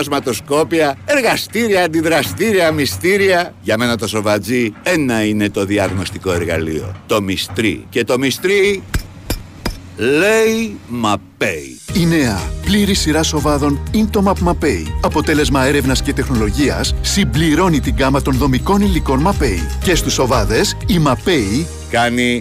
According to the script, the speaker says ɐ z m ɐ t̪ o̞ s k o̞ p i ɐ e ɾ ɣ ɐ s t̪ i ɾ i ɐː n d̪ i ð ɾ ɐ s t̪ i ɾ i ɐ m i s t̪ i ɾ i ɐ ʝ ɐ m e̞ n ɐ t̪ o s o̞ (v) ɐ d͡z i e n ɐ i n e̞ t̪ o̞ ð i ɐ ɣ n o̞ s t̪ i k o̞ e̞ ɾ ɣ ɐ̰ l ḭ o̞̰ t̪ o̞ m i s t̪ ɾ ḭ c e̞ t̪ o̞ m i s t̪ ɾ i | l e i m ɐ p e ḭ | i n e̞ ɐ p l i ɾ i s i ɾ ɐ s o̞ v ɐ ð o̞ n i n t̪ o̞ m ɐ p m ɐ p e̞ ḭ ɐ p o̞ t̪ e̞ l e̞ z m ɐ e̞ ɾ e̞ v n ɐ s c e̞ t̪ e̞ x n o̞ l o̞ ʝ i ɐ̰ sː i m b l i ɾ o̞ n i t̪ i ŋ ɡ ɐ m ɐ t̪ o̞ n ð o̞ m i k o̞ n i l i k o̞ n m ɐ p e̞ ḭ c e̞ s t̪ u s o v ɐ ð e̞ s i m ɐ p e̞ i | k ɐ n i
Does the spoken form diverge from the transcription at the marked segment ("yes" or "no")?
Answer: no